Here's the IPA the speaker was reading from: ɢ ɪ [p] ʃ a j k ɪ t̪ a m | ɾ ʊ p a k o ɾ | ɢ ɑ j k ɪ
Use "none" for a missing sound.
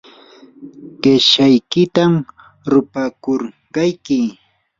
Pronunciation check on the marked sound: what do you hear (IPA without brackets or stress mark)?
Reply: none